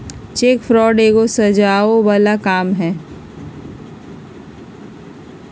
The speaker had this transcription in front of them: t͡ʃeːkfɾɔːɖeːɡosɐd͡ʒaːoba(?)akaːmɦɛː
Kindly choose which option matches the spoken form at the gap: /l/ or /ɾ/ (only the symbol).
l